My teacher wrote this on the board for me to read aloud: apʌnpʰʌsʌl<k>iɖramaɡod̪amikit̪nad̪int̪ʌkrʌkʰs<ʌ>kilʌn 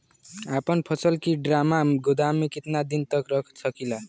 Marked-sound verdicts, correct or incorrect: correct, correct

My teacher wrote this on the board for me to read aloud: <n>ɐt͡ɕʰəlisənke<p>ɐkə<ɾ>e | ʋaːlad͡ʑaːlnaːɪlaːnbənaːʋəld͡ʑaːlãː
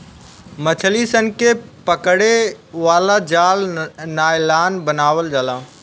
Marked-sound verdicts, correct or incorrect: incorrect, correct, incorrect

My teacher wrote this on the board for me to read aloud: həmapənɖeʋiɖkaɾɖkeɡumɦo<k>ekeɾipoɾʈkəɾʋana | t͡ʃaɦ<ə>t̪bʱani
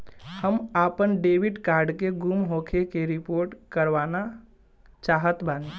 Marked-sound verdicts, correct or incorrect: incorrect, correct

